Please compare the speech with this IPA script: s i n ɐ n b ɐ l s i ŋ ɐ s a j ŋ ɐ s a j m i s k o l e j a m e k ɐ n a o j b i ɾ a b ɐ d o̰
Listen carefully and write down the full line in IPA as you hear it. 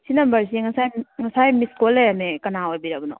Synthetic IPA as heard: s i n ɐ m b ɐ ɾ s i ŋ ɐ s a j ŋ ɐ s a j m i s k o l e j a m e k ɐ n a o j b i ɾ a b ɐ n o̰